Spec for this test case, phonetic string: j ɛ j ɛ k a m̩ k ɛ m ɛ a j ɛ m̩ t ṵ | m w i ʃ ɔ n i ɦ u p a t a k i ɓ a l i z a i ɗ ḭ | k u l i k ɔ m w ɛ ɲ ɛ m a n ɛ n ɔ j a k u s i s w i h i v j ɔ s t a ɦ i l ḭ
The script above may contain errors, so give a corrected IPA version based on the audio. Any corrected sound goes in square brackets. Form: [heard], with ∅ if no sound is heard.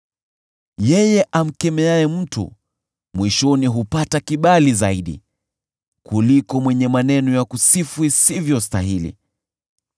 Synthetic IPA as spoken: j ɛ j ɛ [ʔ] a m̩ k ɛ m ɛ a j ɛ m̩ t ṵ | m w i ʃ ɔ n i ɦ u p a t a k i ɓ a l i z a i ɗ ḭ | k u l i k ɔ m w ɛ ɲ ɛ m a n ɛ n ɔ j a k u s i [f] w i [s] i v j ɔ s t a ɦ i l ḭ